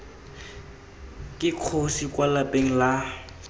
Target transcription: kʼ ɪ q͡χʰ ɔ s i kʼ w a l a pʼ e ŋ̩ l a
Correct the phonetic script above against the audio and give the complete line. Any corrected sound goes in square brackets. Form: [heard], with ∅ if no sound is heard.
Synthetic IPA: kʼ ɪ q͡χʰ [o] s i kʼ w a l a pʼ e ŋ̩ l a